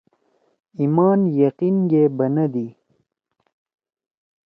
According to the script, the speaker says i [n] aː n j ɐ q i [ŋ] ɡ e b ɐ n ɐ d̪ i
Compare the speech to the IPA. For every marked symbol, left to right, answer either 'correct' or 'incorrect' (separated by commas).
incorrect, incorrect